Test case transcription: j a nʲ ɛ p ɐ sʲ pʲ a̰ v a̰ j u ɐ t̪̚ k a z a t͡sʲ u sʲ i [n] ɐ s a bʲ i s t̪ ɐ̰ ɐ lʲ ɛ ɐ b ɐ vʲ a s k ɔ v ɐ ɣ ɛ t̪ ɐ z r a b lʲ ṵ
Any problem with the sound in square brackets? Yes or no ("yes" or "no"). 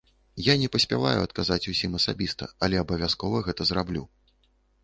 yes